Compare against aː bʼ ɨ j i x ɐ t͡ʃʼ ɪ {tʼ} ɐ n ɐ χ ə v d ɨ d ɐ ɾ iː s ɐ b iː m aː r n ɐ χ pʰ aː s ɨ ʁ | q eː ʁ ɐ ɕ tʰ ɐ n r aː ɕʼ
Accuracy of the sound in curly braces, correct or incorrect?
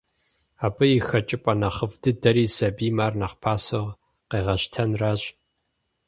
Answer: incorrect: pʼ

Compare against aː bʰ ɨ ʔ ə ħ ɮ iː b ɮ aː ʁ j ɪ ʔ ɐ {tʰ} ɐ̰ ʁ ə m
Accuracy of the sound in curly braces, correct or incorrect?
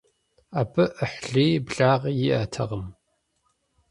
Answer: correct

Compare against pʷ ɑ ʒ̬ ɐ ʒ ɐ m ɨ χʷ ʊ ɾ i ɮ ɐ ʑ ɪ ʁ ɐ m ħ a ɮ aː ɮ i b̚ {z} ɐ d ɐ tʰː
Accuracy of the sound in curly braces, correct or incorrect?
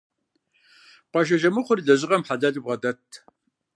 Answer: incorrect: ʁ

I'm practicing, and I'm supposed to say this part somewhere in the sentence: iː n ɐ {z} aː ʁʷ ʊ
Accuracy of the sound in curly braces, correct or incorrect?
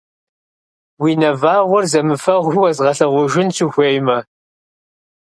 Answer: incorrect: v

